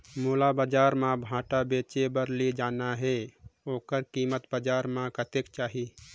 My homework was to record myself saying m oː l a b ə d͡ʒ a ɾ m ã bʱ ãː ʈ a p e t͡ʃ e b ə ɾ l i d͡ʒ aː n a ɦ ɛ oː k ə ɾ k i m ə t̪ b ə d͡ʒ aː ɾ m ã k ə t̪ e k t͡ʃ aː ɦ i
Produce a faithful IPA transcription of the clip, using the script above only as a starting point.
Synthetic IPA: m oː l a b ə d͡ʒ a ɾ m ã bʱ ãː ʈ a b e t͡ʃ e b ə ɾ l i d͡ʒ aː n a ɦ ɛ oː k ə ɾ k i m ə t̪ b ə d͡ʒ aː ɾ m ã k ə t̪ e k t͡ʃ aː ɦ i